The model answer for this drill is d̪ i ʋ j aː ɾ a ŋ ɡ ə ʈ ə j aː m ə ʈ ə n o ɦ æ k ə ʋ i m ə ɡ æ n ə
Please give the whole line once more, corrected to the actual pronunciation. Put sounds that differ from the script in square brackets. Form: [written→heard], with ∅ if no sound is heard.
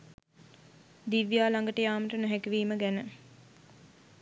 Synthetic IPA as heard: d̪ i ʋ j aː [ɾ→l] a ŋ ɡ ə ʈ ə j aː m ə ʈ ə n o ɦ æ k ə ʋ [i→iː] m ə ɡ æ n ə

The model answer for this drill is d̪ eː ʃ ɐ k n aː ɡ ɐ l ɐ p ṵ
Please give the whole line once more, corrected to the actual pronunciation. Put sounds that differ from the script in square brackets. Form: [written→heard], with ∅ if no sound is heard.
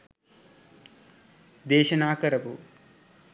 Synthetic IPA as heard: d̪ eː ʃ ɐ [k→∅] n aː [ɡ→k] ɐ [l→ɾ] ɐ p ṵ

